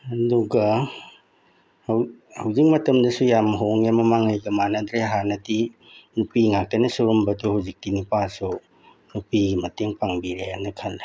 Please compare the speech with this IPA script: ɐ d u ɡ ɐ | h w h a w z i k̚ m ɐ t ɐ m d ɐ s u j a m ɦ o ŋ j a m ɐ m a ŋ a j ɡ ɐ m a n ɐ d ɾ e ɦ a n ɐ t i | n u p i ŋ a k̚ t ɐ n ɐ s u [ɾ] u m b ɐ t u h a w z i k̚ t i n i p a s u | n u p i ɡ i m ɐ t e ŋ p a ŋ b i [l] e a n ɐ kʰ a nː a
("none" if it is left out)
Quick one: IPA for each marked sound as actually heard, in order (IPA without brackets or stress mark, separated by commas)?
ɾ, ɾ